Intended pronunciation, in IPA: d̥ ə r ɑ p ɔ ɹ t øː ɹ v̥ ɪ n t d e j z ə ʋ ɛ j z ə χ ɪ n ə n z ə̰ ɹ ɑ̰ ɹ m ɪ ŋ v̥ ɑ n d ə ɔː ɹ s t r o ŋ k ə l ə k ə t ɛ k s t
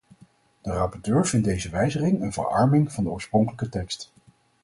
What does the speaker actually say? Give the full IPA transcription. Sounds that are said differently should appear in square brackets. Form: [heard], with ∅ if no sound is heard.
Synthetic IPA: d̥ ə r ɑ p ɔ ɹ t øː ɹ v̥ ɪ n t d e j z ə ʋ ɛ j z ə χ ɪ [ŋ] ə n [v] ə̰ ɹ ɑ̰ ɹ m ɪ ŋ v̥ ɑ n d ə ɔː ɹ s [p] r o ŋ k ə l ə k ə t ɛ k s t